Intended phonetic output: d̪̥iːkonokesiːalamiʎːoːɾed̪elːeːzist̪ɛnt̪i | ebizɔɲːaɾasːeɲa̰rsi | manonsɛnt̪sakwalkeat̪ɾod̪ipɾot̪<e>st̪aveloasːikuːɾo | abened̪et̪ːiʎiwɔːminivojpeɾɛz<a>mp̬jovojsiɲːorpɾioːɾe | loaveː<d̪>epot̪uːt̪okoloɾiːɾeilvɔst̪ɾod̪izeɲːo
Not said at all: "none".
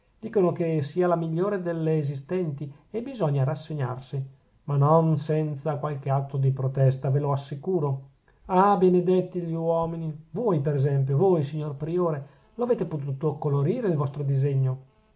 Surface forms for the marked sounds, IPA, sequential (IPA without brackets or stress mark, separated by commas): ɛ, ɛ, t̪